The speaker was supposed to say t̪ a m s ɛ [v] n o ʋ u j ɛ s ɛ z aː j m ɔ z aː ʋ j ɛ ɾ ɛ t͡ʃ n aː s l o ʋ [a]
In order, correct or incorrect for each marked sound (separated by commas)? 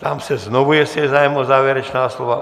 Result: incorrect, correct